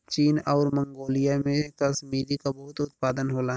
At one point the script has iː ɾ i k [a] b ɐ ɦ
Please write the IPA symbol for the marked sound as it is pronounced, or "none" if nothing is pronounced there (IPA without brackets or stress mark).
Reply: a